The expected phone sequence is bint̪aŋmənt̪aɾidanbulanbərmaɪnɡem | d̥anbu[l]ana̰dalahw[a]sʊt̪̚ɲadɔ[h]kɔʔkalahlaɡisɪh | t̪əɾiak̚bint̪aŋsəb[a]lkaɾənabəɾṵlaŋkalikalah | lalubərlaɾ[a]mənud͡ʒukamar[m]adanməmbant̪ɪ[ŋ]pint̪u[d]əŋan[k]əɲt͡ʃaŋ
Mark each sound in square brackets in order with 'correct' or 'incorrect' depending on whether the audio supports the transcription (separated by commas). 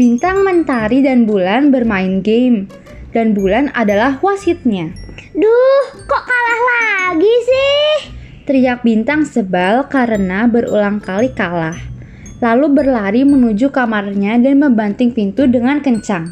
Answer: correct, correct, correct, correct, incorrect, incorrect, correct, correct, correct